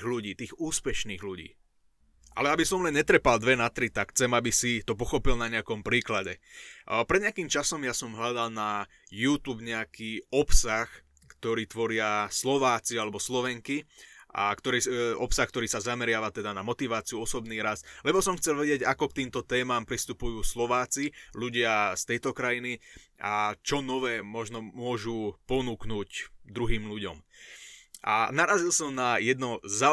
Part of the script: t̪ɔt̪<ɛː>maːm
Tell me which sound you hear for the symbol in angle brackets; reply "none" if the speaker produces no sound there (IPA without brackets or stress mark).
ɛː